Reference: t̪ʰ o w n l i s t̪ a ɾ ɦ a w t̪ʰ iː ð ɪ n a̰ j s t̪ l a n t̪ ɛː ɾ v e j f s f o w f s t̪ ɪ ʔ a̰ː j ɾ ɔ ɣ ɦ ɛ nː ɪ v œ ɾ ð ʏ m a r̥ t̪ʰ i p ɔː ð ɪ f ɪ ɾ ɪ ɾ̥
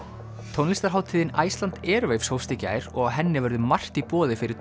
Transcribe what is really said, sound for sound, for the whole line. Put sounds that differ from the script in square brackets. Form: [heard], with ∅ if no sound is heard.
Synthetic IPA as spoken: t̪ʰ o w n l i s t̪ a ɾ ɦ a w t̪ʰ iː ð ɪ n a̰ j s t̪ l a n t̪ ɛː ɾ v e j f s [h] o w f s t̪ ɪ [c] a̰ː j ɾ ɔ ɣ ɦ ɛ nː ɪ v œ ɾ ð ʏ m a r̥ [t̪] i p ɔː ð ɪ f ɪ ɾ ɪ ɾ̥